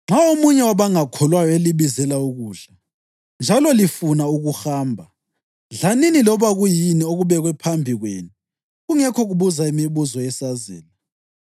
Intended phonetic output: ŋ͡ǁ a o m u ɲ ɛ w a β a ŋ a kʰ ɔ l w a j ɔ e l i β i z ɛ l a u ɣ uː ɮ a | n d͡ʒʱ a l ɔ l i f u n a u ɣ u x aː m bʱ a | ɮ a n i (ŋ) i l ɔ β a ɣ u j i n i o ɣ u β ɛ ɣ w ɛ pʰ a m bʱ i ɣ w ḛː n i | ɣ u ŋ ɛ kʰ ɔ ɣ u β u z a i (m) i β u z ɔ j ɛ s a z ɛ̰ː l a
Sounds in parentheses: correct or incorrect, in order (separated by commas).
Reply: incorrect, correct